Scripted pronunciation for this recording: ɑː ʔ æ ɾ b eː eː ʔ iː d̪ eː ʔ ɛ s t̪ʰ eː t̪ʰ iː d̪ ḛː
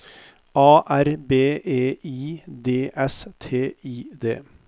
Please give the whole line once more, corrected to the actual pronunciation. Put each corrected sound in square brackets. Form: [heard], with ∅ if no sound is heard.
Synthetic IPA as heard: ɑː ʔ æ ɾ b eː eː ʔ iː d̪ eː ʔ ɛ s t̪ʰ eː [∅] iː d̪ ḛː